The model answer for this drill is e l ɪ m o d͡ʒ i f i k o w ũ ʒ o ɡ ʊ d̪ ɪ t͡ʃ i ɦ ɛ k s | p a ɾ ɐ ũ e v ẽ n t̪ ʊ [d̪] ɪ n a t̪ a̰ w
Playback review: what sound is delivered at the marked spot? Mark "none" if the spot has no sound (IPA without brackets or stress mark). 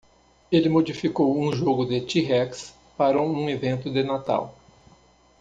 d̪